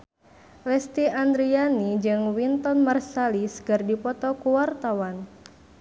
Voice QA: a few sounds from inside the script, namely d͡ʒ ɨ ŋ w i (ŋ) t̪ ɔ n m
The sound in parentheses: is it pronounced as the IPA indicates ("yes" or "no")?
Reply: no